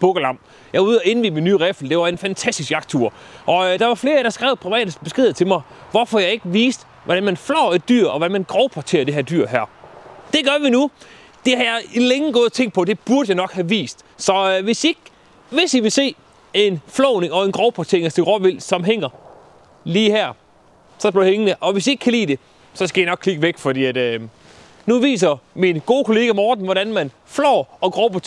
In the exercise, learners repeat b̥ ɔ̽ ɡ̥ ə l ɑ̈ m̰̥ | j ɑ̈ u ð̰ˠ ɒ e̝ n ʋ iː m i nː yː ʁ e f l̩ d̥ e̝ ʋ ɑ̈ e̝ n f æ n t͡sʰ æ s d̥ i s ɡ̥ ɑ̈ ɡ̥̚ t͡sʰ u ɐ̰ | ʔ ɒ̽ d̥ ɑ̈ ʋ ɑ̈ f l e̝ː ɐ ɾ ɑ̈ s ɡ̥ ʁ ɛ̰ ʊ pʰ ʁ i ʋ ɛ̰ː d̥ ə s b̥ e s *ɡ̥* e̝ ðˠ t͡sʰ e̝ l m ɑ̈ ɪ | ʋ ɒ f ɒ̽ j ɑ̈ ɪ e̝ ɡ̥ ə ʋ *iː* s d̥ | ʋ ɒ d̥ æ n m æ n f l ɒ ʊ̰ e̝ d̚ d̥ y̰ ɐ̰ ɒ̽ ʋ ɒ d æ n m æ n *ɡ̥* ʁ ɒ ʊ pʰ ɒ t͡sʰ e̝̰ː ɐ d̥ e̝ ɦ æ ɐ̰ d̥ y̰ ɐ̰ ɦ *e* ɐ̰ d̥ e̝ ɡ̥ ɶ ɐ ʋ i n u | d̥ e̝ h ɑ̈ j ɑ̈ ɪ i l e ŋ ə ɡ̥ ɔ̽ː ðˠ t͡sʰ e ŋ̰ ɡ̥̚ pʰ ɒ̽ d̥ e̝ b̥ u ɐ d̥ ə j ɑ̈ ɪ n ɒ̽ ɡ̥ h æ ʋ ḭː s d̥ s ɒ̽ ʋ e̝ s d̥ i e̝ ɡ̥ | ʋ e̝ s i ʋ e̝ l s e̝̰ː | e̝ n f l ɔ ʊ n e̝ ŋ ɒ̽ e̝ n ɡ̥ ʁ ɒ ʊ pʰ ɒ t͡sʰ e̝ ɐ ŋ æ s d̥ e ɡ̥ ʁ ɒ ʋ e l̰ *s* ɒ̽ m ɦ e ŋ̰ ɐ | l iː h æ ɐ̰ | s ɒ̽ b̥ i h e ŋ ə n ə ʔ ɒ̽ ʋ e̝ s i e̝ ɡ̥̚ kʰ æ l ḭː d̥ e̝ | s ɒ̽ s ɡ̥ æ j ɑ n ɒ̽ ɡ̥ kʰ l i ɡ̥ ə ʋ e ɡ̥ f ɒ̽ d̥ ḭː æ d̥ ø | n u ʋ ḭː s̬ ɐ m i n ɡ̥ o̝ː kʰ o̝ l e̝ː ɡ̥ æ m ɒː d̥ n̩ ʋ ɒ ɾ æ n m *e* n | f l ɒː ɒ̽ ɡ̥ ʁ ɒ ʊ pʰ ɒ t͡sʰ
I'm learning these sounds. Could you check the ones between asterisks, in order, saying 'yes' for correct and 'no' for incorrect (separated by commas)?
yes, yes, yes, no, yes, no